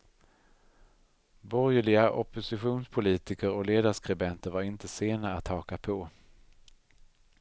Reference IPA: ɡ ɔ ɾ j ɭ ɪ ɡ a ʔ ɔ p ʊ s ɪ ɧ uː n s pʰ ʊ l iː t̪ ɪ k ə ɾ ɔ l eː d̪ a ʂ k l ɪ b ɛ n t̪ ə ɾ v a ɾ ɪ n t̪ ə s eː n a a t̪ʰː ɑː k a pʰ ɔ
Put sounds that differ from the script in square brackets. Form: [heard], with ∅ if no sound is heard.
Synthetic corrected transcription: [b] ɔ ɾ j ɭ ɪ ɡ a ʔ ɔ p ʊ s ɪ ɧ uː n s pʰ ʊ l iː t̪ ɪ k ə ɾ ɔ l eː d̪ a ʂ k [ɾ] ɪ b ɛ n t̪ ə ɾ v a ɾ ɪ n t̪ ə s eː n a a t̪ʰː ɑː k a pʰ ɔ